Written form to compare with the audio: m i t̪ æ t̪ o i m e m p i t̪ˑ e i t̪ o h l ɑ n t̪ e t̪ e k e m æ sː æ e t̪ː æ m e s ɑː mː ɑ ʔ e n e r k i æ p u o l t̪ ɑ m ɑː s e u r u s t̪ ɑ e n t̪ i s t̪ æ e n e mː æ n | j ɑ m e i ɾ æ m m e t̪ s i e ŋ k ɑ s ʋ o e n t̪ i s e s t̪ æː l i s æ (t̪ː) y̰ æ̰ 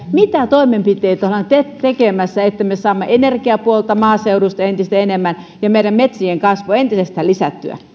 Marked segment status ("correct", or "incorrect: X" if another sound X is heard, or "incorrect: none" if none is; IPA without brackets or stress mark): correct